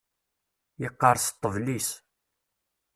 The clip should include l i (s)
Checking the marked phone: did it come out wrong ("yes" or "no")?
no